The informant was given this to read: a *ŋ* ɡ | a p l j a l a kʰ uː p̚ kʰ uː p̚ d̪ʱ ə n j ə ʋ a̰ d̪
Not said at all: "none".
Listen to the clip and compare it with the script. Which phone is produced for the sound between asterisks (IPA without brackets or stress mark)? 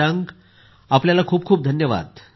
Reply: ŋ